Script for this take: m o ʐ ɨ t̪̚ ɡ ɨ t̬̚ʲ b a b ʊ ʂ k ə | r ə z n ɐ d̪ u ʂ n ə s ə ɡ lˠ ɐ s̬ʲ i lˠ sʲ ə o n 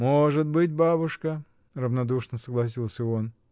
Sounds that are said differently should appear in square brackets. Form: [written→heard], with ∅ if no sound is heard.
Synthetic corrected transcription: m o ʐ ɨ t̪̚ [ɡ→b] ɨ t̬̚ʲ b a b ʊ ʂ k ə | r ə [z→v] n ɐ d̪ u ʂ n ə s ə ɡ lˠ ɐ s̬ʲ i lˠ sʲ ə o n